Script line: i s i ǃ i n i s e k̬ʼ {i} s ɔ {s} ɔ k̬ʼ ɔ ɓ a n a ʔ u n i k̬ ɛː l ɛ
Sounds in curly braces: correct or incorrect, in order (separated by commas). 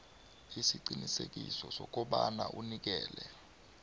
correct, correct